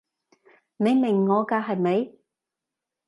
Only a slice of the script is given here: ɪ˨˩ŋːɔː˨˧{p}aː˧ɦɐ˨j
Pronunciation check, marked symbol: incorrect: k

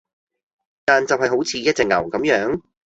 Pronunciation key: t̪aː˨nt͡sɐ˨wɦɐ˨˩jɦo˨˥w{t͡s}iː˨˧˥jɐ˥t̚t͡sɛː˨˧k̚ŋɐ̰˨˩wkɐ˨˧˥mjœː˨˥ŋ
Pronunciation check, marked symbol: incorrect: t͡sʰ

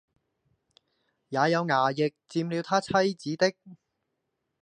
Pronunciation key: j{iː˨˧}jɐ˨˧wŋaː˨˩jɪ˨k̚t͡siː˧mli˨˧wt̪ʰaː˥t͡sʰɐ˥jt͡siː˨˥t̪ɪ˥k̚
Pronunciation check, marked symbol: incorrect: aː˨˧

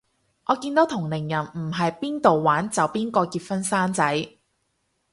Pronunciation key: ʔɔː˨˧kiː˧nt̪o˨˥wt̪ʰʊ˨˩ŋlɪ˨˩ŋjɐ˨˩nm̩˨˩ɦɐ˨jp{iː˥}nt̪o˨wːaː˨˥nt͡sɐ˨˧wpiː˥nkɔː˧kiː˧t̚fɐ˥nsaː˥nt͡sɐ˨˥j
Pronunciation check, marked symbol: correct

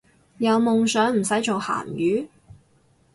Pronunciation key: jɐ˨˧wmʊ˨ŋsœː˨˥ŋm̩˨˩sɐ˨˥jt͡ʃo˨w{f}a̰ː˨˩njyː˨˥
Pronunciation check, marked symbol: incorrect: h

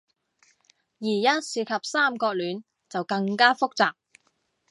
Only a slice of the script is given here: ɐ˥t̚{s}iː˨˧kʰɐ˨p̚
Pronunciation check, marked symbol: correct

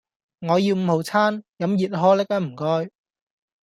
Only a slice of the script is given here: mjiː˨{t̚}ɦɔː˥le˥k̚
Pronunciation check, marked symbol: correct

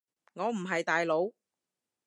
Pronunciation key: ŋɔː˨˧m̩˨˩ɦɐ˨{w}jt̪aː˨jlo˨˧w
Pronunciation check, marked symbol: incorrect: none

